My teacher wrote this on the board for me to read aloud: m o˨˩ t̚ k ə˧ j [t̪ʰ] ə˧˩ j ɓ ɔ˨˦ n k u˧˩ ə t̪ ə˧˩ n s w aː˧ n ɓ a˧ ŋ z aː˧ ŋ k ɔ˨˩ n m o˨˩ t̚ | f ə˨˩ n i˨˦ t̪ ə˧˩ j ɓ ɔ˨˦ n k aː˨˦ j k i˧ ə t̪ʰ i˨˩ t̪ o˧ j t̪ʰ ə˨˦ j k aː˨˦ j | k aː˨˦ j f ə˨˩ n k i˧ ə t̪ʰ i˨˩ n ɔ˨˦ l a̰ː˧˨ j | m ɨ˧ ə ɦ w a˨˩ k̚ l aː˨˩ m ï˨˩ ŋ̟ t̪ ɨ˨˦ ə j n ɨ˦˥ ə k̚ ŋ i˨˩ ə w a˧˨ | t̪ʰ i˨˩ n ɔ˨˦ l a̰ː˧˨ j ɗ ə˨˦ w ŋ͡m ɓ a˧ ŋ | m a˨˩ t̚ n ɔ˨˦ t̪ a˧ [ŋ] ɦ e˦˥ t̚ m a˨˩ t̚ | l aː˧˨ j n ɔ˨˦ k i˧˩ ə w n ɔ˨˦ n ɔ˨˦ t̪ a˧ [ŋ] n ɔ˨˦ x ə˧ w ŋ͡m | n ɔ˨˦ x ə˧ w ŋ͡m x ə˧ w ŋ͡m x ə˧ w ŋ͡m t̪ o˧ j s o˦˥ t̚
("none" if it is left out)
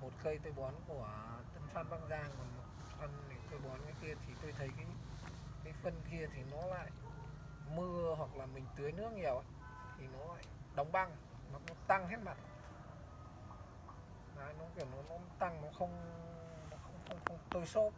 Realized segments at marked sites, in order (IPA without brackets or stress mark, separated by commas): t̪, ŋ, ŋ